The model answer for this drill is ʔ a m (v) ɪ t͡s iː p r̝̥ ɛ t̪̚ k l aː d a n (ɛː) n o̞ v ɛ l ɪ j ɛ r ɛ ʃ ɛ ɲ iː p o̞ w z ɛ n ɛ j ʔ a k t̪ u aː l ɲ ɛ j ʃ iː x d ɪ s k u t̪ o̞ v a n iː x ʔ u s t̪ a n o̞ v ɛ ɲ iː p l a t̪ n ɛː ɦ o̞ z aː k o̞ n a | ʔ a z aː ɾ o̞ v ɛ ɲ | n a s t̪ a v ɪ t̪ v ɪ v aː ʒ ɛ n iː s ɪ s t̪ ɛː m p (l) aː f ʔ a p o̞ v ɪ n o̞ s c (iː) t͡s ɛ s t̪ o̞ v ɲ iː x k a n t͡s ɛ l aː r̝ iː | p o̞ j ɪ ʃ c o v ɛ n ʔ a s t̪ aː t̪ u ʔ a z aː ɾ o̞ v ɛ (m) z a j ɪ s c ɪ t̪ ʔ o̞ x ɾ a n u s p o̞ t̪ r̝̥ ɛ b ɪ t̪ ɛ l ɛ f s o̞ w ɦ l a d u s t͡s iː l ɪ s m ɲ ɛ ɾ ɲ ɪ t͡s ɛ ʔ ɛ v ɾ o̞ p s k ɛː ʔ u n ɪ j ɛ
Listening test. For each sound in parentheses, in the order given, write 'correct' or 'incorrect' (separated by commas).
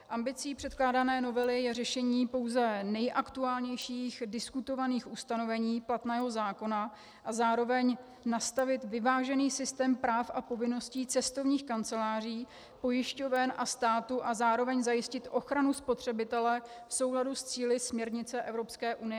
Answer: incorrect, correct, incorrect, correct, incorrect